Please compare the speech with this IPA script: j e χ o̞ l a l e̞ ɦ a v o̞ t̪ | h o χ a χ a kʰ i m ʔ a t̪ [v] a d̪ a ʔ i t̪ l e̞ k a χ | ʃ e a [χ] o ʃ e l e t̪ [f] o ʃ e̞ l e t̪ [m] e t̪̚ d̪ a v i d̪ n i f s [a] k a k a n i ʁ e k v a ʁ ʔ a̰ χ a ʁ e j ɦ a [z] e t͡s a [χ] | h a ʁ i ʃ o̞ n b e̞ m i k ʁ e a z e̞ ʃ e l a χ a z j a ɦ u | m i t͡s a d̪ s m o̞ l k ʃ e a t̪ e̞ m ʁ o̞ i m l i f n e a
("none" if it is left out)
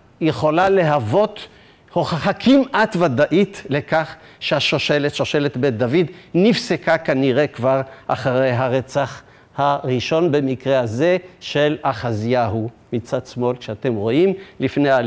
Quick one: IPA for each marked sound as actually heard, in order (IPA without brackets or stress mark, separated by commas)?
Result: v, ʃ, ʃ, b, e, ʁ, χ